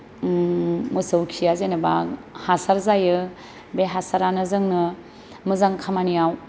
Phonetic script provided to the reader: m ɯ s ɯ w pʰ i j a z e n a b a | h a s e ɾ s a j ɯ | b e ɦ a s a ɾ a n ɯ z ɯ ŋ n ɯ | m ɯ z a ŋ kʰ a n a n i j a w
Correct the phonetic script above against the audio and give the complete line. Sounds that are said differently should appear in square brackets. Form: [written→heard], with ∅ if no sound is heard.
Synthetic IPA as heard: m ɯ s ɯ w [pʰ→kʰ] i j a z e n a b a | h a s [e→a] ɾ [s→z] a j ɯ | b e ɦ a s a ɾ a n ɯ z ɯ ŋ n ɯ | m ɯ z a ŋ kʰ a [n→m] a n i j a w